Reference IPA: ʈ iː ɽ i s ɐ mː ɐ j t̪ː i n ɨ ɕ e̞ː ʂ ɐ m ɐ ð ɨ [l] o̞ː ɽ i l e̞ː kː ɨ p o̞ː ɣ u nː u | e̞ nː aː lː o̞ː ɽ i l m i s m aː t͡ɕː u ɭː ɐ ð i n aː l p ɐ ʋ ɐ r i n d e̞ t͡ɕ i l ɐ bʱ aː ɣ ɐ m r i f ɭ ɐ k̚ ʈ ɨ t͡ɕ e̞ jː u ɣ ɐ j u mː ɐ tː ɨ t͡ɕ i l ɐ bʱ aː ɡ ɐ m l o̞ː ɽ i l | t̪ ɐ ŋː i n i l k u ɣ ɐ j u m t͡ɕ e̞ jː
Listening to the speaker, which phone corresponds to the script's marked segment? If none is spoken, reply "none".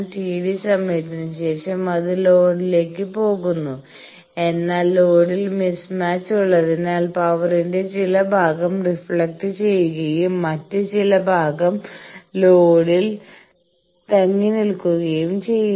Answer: l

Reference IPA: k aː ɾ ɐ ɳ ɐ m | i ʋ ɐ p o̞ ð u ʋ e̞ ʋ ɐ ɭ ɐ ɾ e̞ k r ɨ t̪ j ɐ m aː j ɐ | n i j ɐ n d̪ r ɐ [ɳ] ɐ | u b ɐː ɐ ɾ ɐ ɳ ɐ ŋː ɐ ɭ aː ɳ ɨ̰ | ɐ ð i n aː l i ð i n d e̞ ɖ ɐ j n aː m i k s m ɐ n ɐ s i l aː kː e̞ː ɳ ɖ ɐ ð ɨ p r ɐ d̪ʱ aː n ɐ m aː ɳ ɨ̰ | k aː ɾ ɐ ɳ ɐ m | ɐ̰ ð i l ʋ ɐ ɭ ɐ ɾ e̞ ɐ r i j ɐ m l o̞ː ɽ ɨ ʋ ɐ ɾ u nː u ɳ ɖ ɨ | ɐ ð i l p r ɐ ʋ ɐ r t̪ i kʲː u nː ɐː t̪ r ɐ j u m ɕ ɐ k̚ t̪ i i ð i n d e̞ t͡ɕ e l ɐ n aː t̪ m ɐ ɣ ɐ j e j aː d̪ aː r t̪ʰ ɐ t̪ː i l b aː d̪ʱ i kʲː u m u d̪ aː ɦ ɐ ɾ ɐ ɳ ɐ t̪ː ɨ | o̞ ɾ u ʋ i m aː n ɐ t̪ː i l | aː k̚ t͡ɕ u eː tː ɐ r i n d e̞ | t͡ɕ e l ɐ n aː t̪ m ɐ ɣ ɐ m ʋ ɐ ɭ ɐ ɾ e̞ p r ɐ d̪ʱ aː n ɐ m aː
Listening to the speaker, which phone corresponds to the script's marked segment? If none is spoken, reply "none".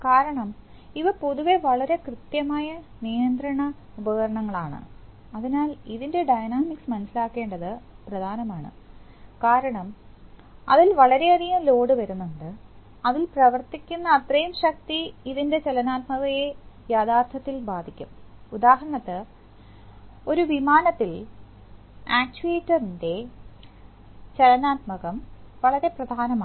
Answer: ɳ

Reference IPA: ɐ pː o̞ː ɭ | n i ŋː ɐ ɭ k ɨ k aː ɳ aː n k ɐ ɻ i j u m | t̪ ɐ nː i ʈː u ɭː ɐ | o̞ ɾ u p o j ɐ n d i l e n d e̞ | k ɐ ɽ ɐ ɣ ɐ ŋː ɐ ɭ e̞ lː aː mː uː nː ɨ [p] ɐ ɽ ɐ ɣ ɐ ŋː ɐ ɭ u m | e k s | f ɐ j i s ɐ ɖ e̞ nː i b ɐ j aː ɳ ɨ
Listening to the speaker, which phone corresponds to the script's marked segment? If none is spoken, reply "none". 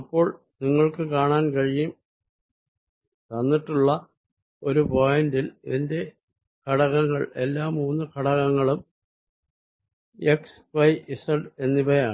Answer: k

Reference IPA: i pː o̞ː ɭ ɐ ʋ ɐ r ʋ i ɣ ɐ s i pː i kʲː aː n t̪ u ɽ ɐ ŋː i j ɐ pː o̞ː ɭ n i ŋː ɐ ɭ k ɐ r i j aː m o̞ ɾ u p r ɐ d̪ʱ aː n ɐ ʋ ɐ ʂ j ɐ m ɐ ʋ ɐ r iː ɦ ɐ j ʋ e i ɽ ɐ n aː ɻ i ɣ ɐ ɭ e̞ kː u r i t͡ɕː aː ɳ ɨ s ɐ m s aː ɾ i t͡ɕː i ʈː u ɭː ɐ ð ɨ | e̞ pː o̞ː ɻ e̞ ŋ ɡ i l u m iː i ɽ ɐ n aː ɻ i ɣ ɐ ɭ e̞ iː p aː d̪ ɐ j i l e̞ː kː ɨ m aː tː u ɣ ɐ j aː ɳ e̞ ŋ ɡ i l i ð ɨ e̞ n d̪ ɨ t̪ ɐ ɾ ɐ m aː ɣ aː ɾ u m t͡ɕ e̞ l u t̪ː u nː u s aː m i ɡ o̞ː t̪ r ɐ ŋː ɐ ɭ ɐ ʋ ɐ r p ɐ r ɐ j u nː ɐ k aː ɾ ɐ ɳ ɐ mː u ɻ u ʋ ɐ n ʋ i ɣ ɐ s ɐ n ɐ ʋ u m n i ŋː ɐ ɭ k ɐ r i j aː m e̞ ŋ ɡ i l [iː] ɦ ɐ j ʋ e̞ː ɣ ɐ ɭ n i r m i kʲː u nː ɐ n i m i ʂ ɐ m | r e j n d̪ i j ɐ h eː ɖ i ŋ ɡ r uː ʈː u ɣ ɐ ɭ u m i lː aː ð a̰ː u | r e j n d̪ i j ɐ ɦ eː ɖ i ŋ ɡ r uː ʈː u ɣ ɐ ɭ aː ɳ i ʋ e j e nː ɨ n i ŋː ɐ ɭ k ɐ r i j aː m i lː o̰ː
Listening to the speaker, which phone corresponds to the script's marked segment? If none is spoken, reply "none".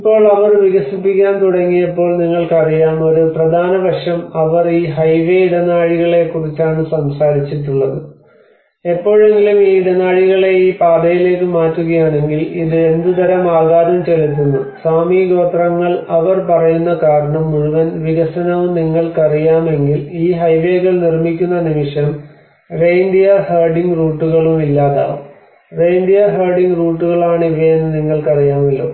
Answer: iː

